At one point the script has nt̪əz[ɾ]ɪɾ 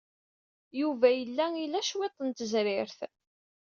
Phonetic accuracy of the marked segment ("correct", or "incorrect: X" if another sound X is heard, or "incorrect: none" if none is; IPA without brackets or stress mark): correct